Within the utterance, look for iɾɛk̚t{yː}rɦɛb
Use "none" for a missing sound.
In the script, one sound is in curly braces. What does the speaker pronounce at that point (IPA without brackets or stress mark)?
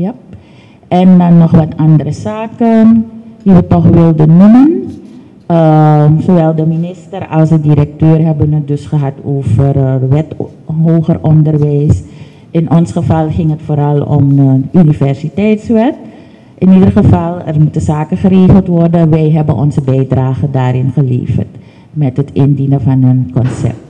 øː